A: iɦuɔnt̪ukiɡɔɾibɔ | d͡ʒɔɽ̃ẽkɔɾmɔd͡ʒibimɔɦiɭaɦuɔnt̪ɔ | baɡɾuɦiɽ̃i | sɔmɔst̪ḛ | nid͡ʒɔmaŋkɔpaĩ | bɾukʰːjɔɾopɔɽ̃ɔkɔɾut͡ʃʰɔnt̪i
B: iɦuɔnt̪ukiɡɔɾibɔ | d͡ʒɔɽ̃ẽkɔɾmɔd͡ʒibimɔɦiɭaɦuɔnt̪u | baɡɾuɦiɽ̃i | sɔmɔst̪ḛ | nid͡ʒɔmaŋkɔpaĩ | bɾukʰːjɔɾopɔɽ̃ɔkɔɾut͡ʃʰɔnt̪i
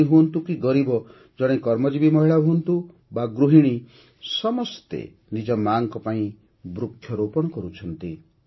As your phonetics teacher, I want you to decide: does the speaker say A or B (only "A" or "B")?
B